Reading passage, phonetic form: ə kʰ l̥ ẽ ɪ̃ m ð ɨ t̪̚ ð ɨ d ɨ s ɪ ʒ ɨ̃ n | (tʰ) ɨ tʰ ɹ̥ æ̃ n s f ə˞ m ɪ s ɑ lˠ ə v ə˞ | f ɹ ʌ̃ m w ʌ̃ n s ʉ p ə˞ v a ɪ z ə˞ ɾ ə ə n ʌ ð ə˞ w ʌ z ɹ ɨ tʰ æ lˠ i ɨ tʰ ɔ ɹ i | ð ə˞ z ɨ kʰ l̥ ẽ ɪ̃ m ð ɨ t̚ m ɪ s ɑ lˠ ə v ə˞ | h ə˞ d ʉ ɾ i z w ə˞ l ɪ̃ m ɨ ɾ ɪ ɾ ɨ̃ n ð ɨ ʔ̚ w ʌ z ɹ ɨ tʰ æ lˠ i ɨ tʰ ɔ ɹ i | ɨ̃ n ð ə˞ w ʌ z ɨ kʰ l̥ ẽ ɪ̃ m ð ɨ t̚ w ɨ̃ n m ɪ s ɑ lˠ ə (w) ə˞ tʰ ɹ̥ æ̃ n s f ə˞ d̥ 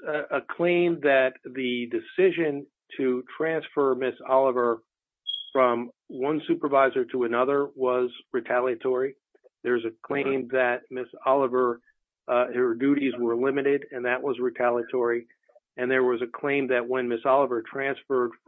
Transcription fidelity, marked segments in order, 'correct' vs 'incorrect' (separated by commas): correct, incorrect